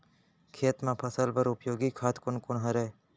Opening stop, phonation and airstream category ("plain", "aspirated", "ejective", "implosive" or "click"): aspirated